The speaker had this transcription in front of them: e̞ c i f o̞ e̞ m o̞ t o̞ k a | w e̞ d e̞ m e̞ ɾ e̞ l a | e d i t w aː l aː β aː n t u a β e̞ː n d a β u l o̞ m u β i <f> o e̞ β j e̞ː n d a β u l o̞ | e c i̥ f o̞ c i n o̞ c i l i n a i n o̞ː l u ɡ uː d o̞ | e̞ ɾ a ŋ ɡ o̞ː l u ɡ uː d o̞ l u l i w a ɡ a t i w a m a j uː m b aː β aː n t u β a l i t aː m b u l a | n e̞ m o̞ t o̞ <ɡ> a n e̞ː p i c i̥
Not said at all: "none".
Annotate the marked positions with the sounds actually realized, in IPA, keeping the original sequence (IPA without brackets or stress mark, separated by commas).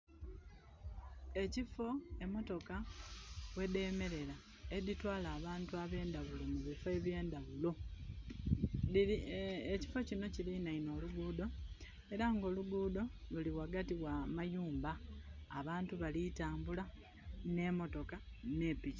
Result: f, k